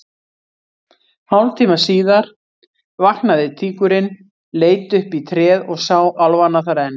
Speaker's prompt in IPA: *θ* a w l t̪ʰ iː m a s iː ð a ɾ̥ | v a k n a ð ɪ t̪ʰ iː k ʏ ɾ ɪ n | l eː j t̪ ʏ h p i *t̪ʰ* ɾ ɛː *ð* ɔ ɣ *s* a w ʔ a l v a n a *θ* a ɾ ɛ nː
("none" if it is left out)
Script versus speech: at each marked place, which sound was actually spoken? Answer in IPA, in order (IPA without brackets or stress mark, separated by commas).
h, t̪ʰ, ð, s, θ